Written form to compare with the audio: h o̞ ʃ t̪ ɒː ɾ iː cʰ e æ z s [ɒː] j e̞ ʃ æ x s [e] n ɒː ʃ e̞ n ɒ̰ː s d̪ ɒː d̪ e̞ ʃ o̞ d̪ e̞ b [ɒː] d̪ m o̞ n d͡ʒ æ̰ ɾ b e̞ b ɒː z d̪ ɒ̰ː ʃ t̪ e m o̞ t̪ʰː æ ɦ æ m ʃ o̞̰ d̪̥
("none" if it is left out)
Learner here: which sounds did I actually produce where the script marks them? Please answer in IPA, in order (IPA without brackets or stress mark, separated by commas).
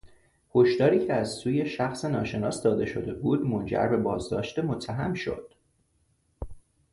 uː, e, uː